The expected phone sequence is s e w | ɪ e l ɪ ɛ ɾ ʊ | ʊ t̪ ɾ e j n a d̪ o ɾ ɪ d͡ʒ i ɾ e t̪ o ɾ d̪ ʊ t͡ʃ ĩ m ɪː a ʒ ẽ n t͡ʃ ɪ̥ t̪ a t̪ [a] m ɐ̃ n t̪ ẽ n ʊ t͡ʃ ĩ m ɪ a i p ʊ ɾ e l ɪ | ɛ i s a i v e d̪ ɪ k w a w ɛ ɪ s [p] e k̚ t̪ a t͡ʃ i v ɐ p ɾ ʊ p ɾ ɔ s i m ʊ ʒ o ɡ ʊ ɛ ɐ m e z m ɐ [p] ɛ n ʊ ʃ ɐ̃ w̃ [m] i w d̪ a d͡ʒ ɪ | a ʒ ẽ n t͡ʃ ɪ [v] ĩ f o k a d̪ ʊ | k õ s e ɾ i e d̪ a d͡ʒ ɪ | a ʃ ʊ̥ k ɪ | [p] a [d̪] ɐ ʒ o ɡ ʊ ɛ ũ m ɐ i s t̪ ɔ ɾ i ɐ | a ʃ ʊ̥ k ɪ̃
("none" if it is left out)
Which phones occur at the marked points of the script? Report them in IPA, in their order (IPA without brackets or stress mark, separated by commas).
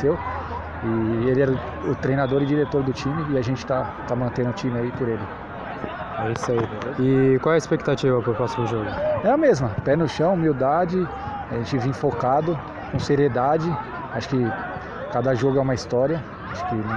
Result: a, p, p, m, v, k, d̪